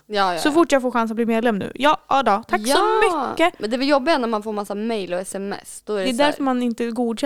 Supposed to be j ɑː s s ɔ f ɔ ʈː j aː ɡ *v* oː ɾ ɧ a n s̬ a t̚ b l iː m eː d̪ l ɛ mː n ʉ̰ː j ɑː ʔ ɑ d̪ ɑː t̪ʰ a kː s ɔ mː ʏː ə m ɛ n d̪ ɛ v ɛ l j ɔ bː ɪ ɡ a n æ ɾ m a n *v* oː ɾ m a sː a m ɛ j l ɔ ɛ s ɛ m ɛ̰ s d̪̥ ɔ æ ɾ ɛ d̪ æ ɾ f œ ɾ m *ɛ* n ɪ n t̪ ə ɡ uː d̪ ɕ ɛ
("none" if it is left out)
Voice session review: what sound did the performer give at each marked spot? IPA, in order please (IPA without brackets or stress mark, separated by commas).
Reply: f, f, a